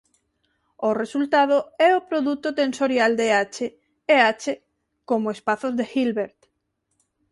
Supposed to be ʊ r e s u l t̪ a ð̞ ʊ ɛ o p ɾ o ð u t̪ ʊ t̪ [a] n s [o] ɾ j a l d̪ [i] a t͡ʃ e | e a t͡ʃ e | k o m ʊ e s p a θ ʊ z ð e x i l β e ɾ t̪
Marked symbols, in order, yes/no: no, yes, no

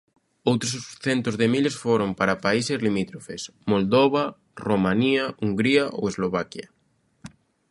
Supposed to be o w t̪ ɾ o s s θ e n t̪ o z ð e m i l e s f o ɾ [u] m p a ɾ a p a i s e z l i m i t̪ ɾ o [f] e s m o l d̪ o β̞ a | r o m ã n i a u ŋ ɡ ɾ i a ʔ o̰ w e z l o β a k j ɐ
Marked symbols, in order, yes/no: no, yes

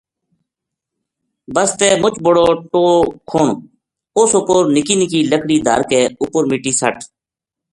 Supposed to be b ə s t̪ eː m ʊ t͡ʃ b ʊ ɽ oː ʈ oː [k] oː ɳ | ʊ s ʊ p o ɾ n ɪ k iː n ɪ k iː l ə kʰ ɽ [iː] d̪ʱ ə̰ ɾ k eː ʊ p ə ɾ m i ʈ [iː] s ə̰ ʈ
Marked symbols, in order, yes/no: no, yes, yes

